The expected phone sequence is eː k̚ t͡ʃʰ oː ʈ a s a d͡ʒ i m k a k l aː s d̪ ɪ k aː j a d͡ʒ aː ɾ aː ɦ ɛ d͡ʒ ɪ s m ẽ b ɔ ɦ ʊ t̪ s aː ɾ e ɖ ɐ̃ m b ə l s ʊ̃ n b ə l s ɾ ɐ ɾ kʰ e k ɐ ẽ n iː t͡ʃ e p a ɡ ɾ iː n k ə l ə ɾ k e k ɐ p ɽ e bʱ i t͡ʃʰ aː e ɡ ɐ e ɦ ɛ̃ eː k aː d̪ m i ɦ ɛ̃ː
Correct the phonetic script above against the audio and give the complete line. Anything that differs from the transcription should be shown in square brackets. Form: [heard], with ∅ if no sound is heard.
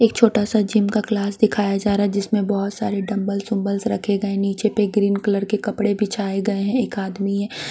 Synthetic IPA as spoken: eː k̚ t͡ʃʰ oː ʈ a s a d͡ʒ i m k a k l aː s d̪ ɪ [kʰ] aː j a d͡ʒ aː ɾ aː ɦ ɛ d͡ʒ ɪ s m ẽ b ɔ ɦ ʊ t̪ s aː ɾ e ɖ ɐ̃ m b ə l s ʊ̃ [m] b ə l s ɾ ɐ [∅] kʰ e [ɡ] ɐ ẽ n iː t͡ʃ e p [e] ɡ ɾ iː n k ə l ə ɾ k e k ɐ p ɽ e bʱ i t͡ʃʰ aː e ɡ ɐ e ɦ ɛ̃ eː k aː d̪ m i ɦ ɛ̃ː